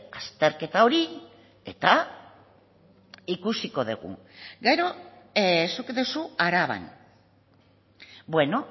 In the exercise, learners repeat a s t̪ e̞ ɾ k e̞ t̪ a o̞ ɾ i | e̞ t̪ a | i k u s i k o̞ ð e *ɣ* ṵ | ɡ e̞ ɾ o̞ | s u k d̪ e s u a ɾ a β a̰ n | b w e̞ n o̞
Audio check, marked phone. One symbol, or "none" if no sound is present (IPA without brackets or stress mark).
ɣ